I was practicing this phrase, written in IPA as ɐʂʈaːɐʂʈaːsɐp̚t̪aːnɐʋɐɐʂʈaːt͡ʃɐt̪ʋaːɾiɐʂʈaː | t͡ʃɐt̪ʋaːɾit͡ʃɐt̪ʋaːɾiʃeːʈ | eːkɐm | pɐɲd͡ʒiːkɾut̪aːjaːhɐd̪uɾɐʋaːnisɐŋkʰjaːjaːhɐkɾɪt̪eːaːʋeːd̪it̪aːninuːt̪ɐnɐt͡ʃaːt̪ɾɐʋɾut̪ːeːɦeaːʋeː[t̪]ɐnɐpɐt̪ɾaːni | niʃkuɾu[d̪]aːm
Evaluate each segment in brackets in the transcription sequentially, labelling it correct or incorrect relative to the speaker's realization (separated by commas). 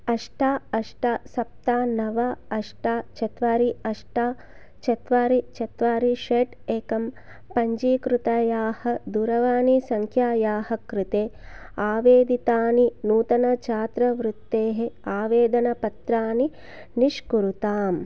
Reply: incorrect, incorrect